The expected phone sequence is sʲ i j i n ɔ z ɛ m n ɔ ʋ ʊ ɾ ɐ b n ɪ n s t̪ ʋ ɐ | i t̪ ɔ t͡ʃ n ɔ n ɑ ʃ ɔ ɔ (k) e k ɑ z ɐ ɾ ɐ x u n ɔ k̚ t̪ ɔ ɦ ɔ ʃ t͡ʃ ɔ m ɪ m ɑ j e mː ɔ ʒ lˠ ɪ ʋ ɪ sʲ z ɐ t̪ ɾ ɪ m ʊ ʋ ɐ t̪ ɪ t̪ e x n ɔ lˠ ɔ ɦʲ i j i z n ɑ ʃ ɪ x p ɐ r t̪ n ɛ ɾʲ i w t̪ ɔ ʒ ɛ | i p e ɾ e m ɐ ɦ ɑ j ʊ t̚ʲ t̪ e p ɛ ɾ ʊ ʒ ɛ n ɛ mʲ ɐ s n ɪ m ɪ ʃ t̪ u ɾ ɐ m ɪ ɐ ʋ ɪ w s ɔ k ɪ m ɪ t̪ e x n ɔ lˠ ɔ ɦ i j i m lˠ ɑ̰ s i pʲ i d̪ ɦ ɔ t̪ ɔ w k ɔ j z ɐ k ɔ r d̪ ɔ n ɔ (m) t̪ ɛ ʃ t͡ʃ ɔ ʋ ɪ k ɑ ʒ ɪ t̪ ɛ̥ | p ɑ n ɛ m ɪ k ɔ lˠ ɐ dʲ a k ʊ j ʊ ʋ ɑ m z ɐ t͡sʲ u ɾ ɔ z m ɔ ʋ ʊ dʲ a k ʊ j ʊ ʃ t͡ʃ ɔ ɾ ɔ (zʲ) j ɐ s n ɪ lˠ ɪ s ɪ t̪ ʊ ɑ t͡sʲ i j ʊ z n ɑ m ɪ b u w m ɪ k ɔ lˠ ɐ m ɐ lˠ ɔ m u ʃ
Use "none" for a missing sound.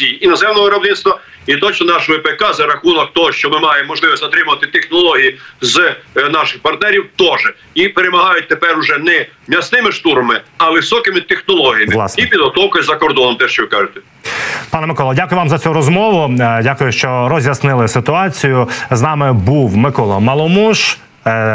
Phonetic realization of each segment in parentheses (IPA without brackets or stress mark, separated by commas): p, m, zʲ